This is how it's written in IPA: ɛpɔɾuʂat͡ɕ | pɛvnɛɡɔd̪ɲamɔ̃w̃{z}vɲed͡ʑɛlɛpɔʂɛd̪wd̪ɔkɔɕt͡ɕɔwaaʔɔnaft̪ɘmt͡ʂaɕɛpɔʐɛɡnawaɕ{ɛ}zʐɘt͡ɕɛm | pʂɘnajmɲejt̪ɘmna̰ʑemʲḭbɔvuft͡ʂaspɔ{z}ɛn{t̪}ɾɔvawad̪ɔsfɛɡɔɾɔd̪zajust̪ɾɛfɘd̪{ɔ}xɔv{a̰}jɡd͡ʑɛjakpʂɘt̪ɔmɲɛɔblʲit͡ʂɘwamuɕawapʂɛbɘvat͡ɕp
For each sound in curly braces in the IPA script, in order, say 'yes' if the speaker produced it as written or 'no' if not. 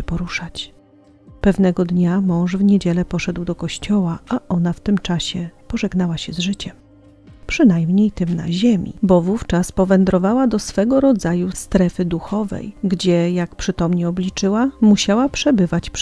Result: no, yes, no, no, no, no

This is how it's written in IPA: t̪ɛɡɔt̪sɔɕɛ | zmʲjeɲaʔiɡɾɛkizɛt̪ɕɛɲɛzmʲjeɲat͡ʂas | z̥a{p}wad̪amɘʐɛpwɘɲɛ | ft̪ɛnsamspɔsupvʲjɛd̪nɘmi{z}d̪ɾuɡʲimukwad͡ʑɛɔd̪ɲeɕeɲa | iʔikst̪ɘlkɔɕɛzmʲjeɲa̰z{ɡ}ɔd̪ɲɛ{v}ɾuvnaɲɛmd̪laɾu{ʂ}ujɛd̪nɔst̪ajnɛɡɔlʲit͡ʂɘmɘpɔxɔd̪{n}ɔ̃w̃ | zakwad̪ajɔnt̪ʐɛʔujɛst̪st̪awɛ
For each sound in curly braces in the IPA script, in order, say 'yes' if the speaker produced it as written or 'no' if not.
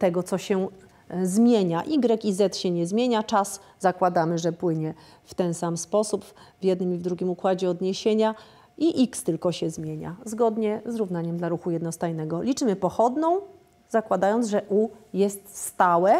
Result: no, no, yes, no, no, yes

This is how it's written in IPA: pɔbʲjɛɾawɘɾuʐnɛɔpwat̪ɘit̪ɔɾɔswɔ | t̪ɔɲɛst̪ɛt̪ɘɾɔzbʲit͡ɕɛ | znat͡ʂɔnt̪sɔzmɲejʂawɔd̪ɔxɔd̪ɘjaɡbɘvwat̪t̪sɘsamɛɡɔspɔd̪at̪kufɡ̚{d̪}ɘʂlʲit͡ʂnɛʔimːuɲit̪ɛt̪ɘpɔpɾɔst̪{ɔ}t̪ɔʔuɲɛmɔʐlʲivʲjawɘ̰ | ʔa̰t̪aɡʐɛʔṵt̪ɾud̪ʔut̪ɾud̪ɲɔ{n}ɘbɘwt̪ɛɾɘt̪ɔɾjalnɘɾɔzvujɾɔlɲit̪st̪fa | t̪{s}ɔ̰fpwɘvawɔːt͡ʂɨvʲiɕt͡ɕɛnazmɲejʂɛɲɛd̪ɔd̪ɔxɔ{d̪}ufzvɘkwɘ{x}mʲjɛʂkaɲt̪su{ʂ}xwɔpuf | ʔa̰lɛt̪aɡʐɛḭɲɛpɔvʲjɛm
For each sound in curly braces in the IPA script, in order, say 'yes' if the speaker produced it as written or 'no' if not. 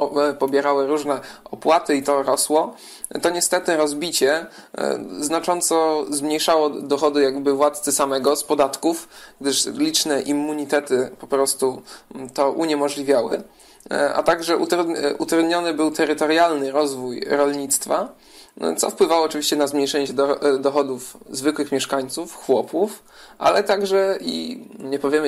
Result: yes, no, yes, yes, yes, yes, no

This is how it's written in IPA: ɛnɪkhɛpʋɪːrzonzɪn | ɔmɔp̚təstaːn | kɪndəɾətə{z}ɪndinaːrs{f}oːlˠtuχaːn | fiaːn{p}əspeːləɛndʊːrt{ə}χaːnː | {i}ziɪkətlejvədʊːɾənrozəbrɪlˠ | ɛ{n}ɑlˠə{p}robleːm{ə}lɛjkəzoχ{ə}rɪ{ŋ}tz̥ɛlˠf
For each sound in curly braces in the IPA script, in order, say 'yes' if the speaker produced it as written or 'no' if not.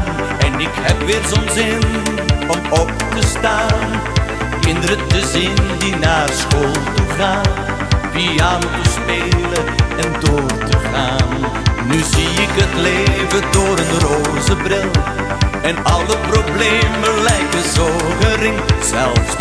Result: yes, no, no, yes, no, yes, yes, yes, yes, yes

